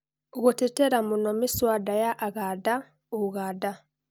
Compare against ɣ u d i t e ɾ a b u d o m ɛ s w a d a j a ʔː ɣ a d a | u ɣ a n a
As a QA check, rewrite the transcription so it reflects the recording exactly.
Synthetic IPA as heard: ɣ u t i t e ɾ a m u n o m i s w a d a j a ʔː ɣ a d a | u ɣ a d a